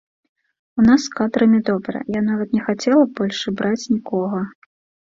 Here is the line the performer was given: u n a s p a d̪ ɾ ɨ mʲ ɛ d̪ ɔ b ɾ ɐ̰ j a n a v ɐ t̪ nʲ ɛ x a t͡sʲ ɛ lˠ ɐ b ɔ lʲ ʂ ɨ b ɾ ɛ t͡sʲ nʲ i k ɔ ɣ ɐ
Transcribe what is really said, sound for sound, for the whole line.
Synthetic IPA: u n a s k a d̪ ɾ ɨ mʲ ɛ d̪ ɔ b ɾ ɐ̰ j a n a v ɐ t̪ nʲ ɛ x a t͡sʲ ɛ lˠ ɐ b ɔ lʲ ʂ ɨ b ɾ a t͡sʲ nʲ i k ɔ ɣ ɐ